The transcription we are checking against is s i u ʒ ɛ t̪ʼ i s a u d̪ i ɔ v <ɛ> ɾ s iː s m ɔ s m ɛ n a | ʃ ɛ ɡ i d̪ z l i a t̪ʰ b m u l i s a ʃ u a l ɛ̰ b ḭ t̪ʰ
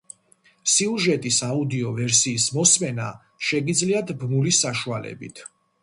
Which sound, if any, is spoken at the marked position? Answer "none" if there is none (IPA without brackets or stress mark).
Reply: ɛ